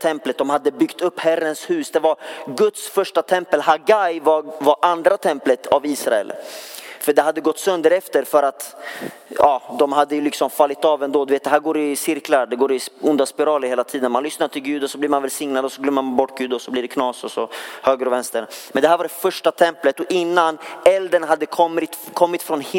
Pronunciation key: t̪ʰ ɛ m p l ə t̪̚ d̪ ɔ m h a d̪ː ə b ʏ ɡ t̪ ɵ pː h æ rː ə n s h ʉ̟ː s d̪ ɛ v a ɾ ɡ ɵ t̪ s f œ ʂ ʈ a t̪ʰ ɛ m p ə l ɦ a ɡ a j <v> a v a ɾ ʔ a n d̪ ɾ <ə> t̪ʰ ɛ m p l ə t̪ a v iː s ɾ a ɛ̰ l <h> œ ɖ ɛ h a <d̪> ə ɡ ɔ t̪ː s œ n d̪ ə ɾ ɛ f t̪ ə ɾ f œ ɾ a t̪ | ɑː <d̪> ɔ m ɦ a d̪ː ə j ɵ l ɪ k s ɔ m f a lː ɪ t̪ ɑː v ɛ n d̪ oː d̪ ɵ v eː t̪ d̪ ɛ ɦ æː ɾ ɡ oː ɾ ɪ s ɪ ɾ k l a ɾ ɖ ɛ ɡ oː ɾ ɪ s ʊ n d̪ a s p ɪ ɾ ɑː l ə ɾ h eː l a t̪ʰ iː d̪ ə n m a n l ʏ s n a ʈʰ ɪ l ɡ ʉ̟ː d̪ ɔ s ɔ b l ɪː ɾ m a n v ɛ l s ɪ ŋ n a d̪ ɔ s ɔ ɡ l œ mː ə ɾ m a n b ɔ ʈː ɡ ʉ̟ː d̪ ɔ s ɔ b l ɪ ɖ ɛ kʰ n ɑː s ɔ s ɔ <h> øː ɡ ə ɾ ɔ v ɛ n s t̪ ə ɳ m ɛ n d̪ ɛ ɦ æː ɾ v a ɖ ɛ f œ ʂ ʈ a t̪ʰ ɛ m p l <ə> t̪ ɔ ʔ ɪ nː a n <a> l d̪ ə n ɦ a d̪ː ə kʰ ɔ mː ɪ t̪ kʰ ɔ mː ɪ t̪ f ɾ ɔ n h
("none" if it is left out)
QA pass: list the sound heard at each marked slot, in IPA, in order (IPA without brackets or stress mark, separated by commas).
v, a, f, d̪ː, d̪, h, ə, ɛ